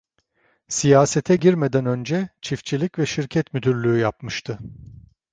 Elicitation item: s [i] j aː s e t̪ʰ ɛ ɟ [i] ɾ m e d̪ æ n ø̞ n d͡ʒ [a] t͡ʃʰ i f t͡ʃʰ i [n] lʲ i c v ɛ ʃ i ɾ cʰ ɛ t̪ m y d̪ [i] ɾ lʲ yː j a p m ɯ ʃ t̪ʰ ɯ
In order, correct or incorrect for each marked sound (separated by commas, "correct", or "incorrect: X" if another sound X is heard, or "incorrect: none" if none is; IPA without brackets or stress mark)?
correct, correct, incorrect: ɛ, incorrect: none, incorrect: y